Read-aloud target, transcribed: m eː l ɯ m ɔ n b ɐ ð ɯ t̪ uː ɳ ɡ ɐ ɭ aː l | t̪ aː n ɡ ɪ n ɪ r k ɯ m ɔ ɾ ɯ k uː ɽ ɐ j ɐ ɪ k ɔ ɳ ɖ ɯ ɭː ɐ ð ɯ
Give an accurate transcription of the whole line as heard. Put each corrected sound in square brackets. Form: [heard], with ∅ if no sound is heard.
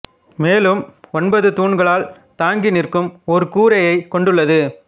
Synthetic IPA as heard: m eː l ɯ m ɔ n b ɐ ð ɯ t̪ uː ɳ ɡ ɐ ɭ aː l | t̪ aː [ŋ] ɡ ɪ n ɪ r k ɯ m ɔ ɾ ɯ k uː [ɾ] ɐ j ɐ ɪ k ɔ ɳ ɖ ɯ ɭː ɐ ð ɯ